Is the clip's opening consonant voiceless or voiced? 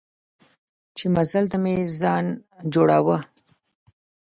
voiceless